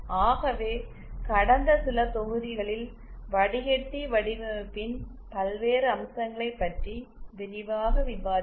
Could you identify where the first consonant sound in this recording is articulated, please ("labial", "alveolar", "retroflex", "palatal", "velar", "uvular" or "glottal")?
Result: velar